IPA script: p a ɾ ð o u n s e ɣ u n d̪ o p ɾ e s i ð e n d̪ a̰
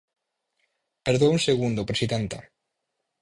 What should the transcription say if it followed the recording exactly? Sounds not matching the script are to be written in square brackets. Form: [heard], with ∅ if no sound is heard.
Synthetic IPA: p [e] ɾ ð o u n s e ɣ u n d̪ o p ɾ e s i ð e n [t̪] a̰